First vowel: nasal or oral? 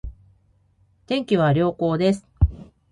nasal